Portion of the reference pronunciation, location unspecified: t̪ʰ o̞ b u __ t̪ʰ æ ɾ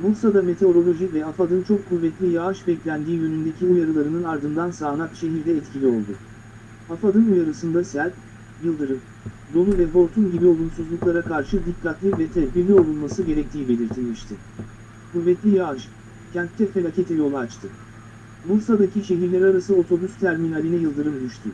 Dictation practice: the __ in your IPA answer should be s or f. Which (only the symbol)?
s